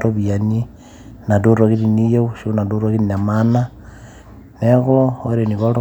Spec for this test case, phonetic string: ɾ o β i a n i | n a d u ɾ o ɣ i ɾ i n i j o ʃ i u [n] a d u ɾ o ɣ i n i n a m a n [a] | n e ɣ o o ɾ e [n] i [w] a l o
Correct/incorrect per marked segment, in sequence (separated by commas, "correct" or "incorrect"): correct, correct, correct, incorrect